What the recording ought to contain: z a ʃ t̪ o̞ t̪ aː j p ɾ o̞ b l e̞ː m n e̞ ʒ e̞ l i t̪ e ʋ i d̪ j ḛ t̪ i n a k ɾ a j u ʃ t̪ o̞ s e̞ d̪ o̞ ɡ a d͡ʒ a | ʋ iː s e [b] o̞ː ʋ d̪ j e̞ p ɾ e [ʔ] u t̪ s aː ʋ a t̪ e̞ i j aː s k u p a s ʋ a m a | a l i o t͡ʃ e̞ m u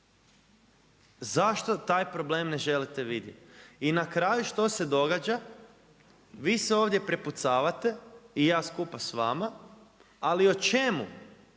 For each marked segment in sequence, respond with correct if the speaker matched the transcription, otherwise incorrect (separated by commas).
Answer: incorrect, incorrect